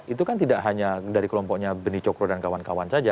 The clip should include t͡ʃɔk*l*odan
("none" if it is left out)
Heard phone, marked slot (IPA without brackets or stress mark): ɾ